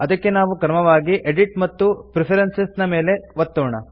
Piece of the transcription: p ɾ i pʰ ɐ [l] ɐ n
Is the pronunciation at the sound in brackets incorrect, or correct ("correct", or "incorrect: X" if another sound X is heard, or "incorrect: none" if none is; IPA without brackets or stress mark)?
incorrect: ɾ